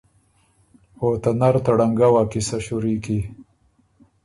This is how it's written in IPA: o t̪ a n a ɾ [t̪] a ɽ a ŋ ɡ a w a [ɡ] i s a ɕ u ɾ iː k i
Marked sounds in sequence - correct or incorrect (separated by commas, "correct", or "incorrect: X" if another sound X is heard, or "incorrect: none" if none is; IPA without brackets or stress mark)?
correct, incorrect: k